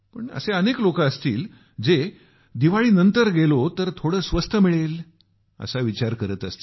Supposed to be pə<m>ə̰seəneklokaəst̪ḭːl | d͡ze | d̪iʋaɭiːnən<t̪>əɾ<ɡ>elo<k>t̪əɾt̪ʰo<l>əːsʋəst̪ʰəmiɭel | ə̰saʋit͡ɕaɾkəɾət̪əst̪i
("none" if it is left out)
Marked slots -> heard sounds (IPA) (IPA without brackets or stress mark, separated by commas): ɳ, t̪, ɡ, none, ɽ